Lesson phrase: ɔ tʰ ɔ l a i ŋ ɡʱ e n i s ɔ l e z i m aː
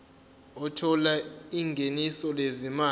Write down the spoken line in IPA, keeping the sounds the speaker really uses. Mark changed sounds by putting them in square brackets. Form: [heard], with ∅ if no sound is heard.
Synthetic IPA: ɔ tʰ ɔ l a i ŋ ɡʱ e n i s ɔ l e z i m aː